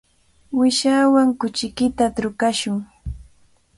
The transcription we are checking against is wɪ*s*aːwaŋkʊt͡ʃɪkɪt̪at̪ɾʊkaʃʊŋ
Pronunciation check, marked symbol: incorrect: ʃ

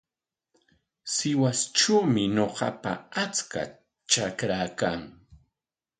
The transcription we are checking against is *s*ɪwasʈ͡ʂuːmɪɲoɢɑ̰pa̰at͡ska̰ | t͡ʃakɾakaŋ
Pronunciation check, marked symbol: correct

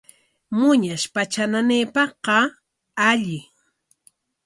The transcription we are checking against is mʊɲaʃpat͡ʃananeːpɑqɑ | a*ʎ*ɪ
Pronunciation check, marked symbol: correct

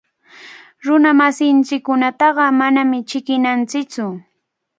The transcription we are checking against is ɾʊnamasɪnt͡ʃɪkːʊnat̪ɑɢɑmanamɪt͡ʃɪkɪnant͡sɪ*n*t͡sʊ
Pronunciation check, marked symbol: incorrect: none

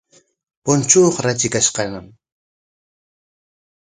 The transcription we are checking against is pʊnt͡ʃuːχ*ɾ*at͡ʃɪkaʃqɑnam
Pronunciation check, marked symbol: correct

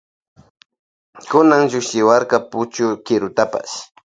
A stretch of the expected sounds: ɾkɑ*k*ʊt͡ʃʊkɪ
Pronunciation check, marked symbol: incorrect: p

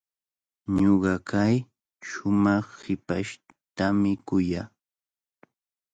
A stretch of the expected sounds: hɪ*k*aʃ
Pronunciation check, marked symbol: incorrect: p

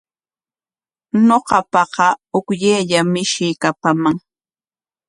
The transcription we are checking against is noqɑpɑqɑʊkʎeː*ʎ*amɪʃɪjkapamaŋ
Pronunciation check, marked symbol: correct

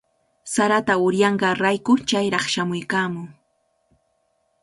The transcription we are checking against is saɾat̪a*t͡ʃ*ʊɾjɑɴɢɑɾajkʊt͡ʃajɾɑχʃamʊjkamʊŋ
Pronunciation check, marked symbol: incorrect: none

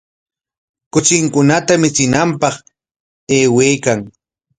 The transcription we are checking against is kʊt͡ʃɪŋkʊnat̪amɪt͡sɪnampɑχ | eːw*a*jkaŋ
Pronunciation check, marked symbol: incorrect: e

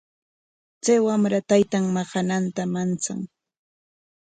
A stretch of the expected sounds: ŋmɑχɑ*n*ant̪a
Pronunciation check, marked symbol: correct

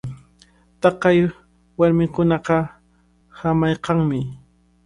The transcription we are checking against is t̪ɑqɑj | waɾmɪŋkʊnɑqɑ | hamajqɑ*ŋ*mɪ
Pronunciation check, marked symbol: correct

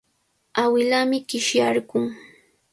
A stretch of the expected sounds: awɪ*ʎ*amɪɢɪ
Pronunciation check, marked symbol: incorrect: l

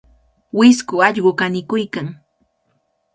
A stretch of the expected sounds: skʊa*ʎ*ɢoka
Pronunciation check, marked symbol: correct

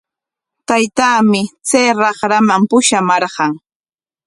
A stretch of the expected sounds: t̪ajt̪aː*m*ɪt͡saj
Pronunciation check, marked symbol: correct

